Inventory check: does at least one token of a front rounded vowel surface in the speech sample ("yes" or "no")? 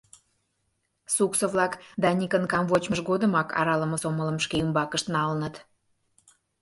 yes